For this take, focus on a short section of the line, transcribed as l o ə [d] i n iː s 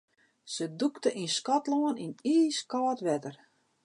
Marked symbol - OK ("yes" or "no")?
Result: no